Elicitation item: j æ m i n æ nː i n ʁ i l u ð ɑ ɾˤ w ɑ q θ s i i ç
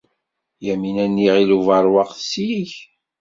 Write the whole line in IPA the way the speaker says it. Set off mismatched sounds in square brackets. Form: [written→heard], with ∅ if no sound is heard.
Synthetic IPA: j æ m i n æ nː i [n→∅] ʁ i l u [ð→v] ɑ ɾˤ w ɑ q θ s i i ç